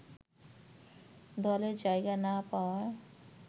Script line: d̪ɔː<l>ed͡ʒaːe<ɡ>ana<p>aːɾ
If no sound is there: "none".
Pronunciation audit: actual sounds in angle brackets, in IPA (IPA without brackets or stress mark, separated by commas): l, ɡ, p